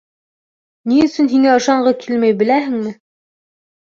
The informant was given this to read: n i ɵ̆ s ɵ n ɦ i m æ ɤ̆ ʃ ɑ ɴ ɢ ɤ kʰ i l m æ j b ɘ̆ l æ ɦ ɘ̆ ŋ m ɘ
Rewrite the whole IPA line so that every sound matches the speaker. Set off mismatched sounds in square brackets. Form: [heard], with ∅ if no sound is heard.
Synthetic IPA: n i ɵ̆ s ɵ n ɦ i [ŋ] æ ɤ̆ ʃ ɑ ɴ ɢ ɤ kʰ i l m æ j b ɘ̆ l æ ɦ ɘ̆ ŋ m ɘ